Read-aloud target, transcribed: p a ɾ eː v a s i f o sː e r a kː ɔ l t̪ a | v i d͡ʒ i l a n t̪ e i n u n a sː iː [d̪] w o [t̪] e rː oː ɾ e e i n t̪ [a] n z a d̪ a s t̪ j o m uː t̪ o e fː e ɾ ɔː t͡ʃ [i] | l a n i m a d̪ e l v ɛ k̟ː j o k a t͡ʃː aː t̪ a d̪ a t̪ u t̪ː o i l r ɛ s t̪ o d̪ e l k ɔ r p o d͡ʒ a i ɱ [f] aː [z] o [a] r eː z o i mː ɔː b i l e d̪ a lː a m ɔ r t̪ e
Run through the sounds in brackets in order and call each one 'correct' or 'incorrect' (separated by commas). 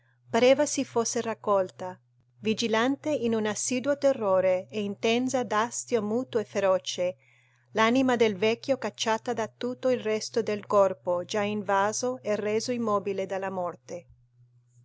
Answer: correct, correct, incorrect, incorrect, incorrect, correct, incorrect